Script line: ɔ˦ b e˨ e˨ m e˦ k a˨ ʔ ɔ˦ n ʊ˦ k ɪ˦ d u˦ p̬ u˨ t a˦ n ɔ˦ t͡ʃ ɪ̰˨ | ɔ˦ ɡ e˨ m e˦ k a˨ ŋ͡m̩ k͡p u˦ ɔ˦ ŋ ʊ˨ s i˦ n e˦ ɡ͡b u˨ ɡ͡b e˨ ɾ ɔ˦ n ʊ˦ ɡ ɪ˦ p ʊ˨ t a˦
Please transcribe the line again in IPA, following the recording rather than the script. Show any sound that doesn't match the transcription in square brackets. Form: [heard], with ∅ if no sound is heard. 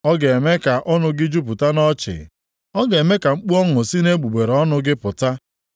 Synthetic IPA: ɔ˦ [ɡ] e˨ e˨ m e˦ k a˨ ʔ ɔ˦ n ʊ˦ [ɡ] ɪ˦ [d͡ʒ] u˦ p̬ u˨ t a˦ n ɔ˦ t͡ʃ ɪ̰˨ | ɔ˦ ɡ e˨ m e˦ k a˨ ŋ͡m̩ k͡p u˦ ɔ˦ ŋ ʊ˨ s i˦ n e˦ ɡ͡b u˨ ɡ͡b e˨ ɾ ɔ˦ n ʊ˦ ɡ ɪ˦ p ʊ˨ t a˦